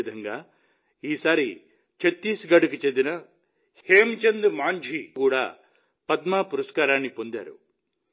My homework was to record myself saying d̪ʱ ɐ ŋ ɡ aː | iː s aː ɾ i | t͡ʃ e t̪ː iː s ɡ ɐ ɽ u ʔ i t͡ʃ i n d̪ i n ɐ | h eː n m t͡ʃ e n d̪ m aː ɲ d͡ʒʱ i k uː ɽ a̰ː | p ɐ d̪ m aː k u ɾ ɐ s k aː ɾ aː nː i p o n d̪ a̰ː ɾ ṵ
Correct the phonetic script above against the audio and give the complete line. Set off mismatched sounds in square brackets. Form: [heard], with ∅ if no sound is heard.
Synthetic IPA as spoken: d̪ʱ ɐ ŋ ɡ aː | iː s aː ɾ i | t͡ʃ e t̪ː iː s ɡ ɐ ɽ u [k] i t͡ʃ [e] n d̪ i n ɐ | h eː [∅] m t͡ʃ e n d̪ m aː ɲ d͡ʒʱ i k uː ɽ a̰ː | p ɐ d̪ m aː [p] u ɾ ɐ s k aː ɾ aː nː i p o n d̪ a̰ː ɾ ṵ